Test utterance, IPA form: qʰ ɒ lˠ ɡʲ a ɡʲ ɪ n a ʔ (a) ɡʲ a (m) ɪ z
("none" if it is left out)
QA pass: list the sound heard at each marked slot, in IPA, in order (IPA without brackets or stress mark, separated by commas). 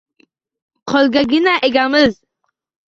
e, m